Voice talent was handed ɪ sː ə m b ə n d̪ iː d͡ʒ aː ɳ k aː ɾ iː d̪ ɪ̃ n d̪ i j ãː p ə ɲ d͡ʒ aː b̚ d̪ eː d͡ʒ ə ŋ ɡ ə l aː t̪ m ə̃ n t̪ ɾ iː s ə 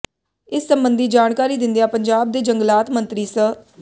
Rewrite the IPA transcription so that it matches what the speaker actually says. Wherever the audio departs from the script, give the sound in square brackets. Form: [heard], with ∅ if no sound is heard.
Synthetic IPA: ɪ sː ə m b ə n d̪ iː d͡ʒ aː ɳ k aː ɾ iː d̪ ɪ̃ n d̪ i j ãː p ə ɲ d͡ʒ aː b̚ d̪ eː d͡ʒ ə ŋ ɡ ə l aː t̪ m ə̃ n t̪ ɾ iː s ə